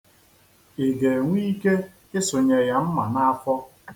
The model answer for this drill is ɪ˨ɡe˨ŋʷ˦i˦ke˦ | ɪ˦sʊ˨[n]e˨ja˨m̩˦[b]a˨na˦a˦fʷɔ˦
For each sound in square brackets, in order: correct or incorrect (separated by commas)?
incorrect, incorrect